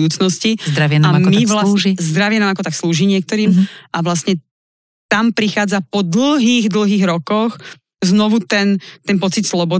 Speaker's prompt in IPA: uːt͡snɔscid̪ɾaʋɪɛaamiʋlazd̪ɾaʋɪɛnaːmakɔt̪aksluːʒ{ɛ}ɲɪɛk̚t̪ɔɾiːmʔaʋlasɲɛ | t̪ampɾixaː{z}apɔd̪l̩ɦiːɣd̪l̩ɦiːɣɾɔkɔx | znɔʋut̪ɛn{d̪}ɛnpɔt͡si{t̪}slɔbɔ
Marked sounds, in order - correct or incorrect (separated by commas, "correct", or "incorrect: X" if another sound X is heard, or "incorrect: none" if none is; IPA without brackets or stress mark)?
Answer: incorrect: i, incorrect: d͡z, incorrect: t̪, correct